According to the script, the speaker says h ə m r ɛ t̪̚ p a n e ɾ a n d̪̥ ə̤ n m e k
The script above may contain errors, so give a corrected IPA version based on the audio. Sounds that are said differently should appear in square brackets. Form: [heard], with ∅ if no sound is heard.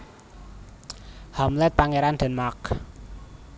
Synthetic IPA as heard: h [a] m [l] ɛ t̪̚ p a [ŋ] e ɾ a n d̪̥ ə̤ n m [a] k